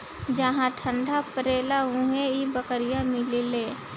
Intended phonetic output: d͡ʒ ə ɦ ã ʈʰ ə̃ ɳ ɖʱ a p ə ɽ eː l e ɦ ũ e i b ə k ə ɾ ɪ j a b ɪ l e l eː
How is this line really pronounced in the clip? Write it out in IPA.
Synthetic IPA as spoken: d͡ʒ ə ɦ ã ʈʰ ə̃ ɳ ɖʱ a p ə ɾ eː l a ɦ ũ e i b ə k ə ɾ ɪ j a m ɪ l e l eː